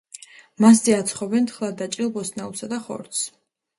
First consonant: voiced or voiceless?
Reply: voiced